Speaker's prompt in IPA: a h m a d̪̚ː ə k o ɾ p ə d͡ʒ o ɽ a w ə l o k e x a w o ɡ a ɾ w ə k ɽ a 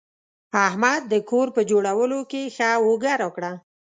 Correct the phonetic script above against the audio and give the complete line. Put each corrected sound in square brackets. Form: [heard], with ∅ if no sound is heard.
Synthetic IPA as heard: a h m a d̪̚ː ə k o ɾ p ə d͡ʒ o ɽ a w ə l o k e x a w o ɡ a ɾ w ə k ɽ a

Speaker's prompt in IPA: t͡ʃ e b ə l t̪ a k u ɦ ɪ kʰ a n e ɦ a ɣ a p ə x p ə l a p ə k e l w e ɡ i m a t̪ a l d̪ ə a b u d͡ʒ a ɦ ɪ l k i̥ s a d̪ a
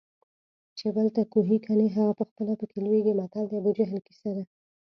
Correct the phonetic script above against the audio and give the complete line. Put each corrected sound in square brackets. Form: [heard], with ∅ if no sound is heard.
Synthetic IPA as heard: t͡ʃ e b ə l t̪ a k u ɦ [i] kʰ a n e ɦ a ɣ a p ə x p ə l a p ə k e l w e ɡ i m a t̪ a l d̪ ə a b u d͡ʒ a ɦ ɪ l k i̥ s a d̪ a

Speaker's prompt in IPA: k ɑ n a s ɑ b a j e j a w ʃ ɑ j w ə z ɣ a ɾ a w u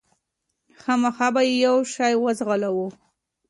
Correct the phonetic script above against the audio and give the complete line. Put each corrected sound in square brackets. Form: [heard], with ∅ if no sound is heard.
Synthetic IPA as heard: [x] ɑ [m] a [x] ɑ b a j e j a w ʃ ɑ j w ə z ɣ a [l] a w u

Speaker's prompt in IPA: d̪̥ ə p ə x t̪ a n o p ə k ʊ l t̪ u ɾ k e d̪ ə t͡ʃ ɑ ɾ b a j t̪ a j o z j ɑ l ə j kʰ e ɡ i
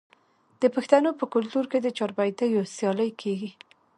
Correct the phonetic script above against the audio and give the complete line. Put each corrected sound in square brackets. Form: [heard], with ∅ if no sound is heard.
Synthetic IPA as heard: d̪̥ ə p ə x t̪ a n o p ə k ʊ l t̪ u ɾ k e d̪ ə t͡ʃ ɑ ɾ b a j t̪ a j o [s] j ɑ l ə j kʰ e ɡ i

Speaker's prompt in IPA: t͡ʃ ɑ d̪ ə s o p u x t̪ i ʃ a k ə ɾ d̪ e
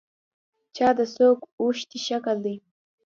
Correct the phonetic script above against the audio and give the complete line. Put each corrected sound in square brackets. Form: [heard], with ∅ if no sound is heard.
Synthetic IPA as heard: t͡ʃ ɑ d̪ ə s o [k] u [ʃ] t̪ i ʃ a k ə [l] d̪ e

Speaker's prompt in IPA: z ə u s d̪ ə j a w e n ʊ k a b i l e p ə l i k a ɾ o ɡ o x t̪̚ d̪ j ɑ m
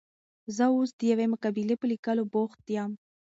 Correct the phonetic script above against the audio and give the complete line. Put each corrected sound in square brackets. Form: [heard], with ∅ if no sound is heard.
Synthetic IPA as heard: z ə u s d̪ ə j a w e [m] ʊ k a b i l e p ə l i k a [l] o [b] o x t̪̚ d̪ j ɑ m

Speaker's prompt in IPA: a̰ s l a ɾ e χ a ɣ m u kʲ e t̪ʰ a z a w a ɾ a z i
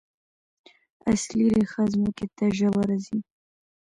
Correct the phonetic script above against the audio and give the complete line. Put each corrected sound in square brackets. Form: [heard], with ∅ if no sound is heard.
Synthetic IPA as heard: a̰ s l [i] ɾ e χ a [z] m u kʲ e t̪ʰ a [ʒ] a w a ɾ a z i

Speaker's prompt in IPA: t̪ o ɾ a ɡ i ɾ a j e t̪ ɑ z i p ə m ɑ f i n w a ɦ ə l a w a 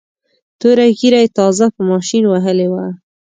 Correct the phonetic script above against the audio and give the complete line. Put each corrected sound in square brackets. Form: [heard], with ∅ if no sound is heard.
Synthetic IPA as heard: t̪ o ɾ a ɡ i ɾ a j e t̪ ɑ z [a] p ə m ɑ [ʃ] i n w a ɦ ə l [e] w a

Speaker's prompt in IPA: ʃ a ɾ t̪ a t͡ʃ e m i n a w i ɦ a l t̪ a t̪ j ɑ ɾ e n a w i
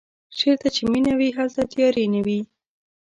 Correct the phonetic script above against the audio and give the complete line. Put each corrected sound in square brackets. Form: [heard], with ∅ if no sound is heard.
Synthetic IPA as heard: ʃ [e] ɾ t̪ a t͡ʃ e m i n a w i ɦ a l t̪ a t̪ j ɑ ɾ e n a w i

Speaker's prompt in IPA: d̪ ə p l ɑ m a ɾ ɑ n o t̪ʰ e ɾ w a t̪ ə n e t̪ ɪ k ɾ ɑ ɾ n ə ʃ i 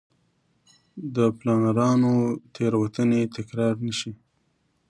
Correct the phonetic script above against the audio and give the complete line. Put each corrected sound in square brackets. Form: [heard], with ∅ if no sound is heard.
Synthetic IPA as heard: d̪ ə p l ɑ [n] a ɾ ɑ n o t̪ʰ e ɾ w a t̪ ə n e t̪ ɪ k ɾ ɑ ɾ n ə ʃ i

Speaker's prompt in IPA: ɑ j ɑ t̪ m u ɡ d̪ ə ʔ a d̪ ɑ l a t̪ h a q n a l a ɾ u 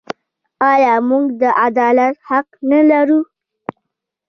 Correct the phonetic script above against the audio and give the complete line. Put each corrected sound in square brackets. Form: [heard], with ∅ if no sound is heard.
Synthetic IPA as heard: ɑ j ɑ [∅] m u ɡ d̪ ə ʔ a d̪ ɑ l a t̪ h a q n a l a ɾ u

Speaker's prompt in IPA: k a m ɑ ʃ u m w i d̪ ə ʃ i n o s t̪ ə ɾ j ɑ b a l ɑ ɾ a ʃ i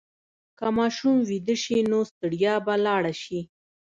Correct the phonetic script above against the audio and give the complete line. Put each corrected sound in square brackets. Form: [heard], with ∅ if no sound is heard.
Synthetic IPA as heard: k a m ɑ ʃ u m w i d̪ ə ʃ i n o s t̪ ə [ɽ] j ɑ b a l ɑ [ɽ] a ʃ i

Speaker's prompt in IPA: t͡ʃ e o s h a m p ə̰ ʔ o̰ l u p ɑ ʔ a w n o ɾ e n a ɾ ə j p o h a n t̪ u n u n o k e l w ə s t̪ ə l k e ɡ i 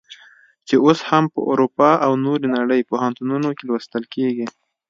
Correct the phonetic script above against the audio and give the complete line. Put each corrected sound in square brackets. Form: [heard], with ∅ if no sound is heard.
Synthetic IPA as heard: t͡ʃ e o s h a m p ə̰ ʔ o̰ [ɾ] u p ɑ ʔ a w n o ɾ e n a [ɽ] ə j p o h a n t̪ u n u n o k e l w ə s t̪ ə l k e ɡ i

